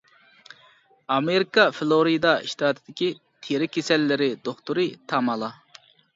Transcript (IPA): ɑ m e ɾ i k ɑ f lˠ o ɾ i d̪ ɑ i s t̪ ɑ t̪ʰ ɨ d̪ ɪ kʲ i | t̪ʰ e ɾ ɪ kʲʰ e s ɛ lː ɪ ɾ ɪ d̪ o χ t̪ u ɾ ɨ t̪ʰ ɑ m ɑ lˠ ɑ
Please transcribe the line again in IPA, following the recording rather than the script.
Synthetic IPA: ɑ m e ɾ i k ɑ f lˠ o ɾ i d̪ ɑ i ʃ t̪ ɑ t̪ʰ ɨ d̪ ɪ kʲ i | t̪ʰ e ɾ ɪ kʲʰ e s ɛ lː ɪ ɾ ɪ d̪ o χ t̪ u ɾ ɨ t̪ʰ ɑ m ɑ lˠ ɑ